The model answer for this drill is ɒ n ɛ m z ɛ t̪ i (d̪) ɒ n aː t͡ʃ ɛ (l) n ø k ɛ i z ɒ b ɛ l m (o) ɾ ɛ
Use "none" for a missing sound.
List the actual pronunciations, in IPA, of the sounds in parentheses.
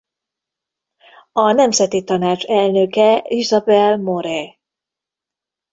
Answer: t̪, l, o

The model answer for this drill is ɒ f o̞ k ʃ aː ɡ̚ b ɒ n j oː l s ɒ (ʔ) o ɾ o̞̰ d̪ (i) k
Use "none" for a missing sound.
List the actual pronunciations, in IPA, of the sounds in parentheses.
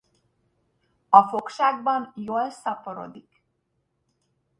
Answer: p, i

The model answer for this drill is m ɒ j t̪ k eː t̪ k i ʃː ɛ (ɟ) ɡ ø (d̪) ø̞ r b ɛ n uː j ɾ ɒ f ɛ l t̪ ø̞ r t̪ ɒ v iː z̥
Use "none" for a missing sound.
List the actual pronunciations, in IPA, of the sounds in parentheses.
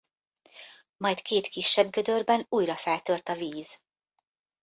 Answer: b, d̪

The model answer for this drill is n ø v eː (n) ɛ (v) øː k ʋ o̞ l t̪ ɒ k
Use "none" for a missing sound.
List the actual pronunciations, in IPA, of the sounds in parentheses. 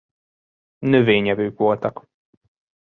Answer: ɲ, v

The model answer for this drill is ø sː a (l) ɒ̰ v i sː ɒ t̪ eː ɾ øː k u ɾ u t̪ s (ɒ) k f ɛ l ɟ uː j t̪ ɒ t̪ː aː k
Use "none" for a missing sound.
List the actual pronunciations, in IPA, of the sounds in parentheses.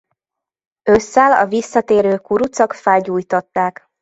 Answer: l, ɒ

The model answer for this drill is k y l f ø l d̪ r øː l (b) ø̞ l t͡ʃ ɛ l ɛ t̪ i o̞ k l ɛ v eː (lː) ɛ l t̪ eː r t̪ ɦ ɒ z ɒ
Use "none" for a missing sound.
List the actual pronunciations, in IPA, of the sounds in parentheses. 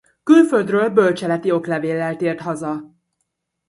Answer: b, lː

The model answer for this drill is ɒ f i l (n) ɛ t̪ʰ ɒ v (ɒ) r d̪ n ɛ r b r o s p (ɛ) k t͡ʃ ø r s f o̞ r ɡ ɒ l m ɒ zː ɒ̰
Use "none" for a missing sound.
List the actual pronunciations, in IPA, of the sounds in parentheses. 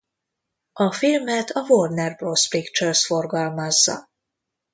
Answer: m, o, i

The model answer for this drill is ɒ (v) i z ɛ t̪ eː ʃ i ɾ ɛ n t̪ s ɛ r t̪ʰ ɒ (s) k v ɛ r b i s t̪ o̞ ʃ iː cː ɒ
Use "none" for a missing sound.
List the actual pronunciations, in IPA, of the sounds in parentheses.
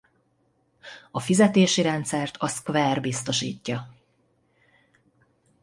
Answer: f, s

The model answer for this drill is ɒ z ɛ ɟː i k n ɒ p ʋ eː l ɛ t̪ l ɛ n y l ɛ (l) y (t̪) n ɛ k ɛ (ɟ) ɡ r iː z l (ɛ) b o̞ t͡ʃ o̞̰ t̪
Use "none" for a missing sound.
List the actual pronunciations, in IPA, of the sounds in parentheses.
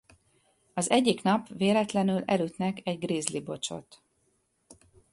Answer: l, t̪, ɟ, i

